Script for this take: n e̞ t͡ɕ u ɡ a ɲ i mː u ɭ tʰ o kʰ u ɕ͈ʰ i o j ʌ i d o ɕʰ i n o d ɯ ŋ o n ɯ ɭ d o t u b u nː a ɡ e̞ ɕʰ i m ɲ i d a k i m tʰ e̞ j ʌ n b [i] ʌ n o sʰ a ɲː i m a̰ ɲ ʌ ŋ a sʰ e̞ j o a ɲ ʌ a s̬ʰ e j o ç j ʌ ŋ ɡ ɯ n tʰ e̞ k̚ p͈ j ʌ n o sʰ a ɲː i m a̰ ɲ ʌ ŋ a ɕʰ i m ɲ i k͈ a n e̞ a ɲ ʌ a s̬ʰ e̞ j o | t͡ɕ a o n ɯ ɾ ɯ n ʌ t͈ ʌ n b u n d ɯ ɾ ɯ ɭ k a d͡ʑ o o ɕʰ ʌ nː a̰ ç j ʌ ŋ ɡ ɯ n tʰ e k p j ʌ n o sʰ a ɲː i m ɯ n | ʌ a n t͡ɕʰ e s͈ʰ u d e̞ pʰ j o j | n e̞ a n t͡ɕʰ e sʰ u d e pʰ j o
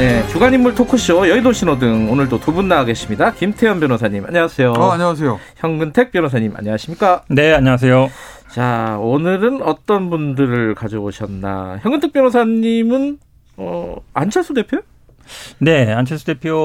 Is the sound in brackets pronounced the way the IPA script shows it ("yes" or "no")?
no